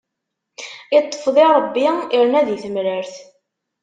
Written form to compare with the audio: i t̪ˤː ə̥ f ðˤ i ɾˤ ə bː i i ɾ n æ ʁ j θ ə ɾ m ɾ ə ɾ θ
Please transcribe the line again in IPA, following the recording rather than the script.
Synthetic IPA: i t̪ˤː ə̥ f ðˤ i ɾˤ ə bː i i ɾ n æ ð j θ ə m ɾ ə ɾ θ

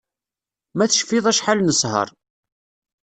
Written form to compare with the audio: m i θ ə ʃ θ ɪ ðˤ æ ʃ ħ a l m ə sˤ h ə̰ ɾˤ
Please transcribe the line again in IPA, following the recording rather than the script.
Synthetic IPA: m æ θ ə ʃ f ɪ ðˤ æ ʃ ħ a l n ə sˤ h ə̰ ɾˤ

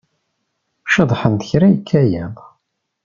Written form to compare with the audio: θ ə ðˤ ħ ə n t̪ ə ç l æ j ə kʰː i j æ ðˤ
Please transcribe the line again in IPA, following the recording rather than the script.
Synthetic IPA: ʃ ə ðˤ ħ ə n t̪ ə ç ɾ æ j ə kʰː æ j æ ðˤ

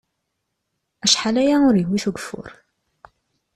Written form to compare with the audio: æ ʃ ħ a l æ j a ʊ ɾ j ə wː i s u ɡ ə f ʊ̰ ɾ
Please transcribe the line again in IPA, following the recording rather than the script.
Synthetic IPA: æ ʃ ħ a l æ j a ʊ ɾ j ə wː i θ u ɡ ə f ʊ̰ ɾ

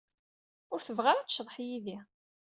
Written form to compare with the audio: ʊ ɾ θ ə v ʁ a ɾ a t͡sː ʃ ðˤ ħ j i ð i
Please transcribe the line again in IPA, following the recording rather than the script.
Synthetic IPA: ʊ ɾ θ ə v ʁ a ɾ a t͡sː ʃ ðˤ ħ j i ð i

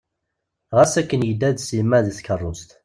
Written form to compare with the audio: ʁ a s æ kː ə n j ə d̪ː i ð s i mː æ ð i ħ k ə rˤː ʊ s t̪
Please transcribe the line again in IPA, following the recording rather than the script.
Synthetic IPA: ʁ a s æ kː ə n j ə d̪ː æ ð s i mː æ ð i θ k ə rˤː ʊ s t̪

